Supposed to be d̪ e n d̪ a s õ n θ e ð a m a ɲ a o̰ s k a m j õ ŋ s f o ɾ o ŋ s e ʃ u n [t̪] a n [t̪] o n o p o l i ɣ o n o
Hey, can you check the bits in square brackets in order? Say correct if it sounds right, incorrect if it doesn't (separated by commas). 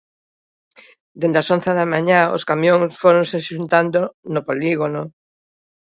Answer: correct, incorrect